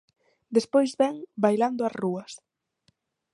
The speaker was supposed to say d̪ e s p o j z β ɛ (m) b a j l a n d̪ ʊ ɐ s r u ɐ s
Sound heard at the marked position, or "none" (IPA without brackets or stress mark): ŋ